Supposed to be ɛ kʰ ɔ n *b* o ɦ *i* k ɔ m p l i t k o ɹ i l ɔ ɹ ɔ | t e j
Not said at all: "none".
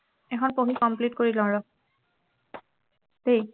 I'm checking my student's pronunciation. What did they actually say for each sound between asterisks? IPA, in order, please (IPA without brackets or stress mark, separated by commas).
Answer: p, i